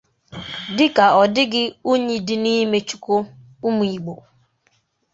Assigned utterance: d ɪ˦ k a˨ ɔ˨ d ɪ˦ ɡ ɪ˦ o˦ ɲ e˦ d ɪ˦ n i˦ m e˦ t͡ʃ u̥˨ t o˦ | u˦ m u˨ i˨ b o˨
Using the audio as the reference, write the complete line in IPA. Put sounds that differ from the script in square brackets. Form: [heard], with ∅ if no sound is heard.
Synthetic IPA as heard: d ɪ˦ k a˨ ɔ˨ d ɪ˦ ɡ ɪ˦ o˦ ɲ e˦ d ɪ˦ n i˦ m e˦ t͡ʃ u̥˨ [k] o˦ | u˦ m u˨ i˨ [ɡ͡b] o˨